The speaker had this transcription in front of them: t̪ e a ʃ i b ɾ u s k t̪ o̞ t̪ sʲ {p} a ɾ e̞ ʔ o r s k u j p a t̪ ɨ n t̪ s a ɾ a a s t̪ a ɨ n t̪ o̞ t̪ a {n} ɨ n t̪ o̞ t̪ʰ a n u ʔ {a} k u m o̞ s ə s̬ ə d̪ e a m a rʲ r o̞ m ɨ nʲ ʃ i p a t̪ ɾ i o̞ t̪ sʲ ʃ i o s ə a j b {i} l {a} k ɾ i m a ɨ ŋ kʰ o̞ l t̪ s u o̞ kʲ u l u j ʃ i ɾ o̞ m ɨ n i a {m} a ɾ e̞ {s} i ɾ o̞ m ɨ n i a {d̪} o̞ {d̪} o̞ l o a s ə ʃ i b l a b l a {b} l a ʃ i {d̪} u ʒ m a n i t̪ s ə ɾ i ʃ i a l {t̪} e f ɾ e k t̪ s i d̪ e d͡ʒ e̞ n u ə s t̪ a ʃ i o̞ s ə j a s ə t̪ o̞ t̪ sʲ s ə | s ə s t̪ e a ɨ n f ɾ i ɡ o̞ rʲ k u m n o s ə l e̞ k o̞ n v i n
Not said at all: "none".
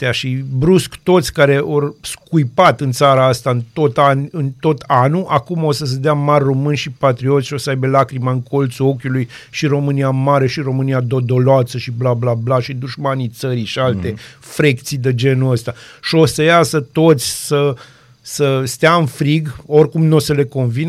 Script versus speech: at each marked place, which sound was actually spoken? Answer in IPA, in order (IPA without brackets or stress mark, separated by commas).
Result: k, n, a, e, a, m, ʃ, d̪, d̪, b, d̪, t̪